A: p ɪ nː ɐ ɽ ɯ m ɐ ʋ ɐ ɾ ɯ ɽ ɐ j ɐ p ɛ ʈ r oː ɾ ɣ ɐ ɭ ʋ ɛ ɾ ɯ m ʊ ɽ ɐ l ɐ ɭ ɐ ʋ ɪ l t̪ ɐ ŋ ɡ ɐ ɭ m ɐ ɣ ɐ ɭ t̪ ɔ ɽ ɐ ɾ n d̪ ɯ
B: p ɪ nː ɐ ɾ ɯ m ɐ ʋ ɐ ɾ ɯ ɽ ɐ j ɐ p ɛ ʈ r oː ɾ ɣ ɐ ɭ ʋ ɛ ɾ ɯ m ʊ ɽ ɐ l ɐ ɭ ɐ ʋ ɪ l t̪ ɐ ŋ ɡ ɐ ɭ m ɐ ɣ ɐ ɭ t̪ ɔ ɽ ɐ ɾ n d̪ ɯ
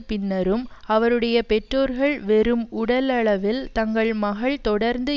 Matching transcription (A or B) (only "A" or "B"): B